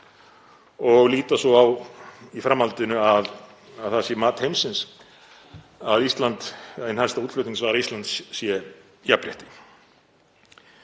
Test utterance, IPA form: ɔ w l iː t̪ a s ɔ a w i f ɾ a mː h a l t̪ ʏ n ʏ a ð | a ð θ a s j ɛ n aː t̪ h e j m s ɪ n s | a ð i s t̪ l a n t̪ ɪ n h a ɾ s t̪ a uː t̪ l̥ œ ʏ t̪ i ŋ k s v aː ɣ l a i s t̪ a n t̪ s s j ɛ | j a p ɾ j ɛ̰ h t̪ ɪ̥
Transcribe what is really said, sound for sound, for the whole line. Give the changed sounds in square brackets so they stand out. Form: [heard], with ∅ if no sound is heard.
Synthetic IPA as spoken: ɔ [ɣ] l iː t̪ a s ɔ a w i f ɾ a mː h a l t̪ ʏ n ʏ a ð | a ð θ a s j ɛ [m] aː t̪ h e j m s ɪ n s | a ð i s t̪ l a n t̪ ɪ n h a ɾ s t̪ a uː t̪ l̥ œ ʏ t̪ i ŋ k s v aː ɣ [ɾ] a i s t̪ a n t̪ s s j ɛ | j a p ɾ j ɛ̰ h t̪ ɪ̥